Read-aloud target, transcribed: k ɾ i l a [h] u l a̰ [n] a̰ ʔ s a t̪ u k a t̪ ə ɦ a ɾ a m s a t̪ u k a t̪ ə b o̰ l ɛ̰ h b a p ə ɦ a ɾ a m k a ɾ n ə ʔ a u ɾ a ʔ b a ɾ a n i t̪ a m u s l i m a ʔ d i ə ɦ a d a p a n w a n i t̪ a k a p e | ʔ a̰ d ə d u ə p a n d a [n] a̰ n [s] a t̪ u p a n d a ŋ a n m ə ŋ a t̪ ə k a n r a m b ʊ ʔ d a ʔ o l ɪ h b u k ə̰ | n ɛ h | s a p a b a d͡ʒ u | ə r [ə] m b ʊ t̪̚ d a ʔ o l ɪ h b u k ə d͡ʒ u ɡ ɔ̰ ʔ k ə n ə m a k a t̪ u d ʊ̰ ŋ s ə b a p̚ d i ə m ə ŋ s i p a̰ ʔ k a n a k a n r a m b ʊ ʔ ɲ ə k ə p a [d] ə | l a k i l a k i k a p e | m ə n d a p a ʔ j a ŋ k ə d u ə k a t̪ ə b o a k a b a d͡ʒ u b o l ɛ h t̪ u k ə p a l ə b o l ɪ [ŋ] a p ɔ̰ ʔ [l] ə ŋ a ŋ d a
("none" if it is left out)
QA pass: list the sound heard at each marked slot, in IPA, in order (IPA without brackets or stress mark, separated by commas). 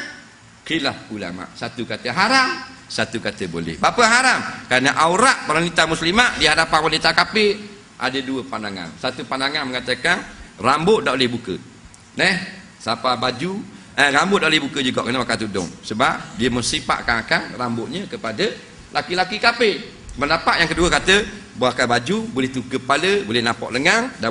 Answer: h, m, ŋ, s, a, d, n, l